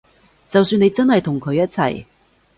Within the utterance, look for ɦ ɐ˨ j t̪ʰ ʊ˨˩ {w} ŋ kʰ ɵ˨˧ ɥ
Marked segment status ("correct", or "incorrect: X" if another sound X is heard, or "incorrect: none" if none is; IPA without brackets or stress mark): incorrect: none